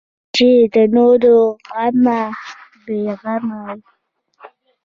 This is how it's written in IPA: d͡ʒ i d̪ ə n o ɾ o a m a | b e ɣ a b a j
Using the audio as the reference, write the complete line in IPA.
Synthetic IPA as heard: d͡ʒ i d̪ ə n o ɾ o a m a | b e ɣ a m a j